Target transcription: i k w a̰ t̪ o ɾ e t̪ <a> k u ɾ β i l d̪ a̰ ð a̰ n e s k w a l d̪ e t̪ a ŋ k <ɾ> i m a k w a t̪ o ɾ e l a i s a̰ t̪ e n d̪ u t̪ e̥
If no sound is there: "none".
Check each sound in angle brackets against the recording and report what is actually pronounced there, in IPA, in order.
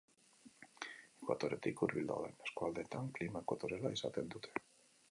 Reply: i, l

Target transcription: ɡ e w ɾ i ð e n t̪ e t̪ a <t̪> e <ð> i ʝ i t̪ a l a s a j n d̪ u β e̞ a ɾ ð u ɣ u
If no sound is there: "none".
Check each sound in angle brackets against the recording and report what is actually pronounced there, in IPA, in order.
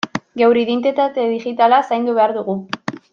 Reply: t̪, ð

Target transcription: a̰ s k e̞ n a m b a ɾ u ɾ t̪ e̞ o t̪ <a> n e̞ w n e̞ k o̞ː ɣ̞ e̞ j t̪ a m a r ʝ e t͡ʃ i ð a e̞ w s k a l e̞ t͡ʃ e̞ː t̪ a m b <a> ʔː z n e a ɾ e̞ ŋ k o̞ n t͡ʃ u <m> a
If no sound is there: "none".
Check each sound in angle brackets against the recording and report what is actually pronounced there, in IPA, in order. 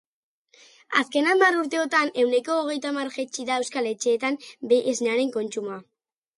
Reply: a, e, m

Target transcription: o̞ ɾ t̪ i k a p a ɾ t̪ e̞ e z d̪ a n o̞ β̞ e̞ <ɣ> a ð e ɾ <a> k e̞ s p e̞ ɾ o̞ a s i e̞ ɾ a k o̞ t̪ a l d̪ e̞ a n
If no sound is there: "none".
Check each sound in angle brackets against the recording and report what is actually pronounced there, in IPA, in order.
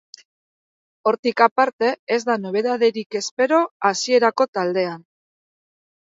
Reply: ð, i

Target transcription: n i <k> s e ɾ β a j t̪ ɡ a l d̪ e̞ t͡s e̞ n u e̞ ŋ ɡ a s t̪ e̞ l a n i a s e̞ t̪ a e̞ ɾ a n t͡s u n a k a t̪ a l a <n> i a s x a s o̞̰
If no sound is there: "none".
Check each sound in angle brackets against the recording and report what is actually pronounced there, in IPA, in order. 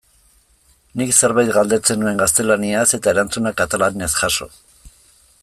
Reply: k, n

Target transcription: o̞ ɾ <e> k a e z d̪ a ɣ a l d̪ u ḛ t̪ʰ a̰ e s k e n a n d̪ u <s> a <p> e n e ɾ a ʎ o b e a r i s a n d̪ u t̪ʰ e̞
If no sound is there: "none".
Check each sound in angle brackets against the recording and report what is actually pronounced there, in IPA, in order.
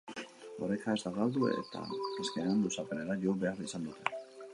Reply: e, s, p

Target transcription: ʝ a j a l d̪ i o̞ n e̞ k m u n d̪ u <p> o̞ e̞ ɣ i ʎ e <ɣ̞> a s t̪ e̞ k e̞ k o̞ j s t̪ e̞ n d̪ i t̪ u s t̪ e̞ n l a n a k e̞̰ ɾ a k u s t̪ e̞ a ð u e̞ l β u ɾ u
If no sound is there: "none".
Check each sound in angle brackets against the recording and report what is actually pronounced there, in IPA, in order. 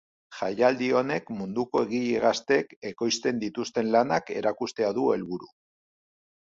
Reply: k, ɣ̞

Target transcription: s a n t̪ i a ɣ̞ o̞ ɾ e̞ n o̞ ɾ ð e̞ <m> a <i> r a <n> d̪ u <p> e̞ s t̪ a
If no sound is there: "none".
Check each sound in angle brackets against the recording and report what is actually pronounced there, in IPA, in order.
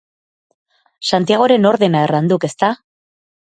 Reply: n, e, n, k

